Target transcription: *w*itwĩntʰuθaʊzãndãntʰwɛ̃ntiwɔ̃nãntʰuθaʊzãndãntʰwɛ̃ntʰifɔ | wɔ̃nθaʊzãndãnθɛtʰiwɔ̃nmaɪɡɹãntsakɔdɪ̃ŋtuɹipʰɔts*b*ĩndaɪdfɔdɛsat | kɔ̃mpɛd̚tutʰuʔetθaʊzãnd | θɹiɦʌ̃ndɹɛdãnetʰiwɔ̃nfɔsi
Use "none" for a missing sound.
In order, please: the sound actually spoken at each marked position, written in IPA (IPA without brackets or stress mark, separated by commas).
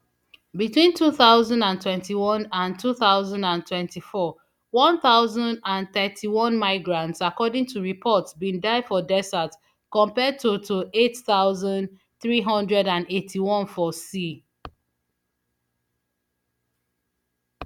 b, b